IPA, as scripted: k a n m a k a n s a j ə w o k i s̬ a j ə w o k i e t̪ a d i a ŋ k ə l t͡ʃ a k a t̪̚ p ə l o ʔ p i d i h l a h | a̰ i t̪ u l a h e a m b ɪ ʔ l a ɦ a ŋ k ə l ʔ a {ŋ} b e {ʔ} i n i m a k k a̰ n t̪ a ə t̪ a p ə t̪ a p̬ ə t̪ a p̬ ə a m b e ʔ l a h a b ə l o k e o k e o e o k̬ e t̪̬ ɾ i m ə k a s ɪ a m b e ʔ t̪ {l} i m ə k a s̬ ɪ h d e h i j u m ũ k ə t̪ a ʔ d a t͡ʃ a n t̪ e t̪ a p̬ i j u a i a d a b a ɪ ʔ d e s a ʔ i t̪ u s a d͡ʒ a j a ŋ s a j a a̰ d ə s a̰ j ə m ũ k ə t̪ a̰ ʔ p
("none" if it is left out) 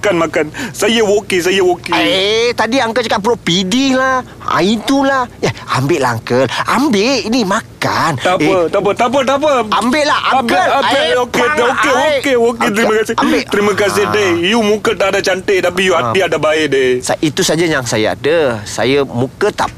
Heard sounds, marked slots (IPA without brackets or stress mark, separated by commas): m, ʔ, ɾ